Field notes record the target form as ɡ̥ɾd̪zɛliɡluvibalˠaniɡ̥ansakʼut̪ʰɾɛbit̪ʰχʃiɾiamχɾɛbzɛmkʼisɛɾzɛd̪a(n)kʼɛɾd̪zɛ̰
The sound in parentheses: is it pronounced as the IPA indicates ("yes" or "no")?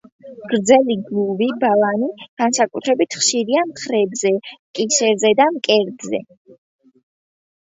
no